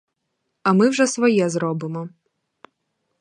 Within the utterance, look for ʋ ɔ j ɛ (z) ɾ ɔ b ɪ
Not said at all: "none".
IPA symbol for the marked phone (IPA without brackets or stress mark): z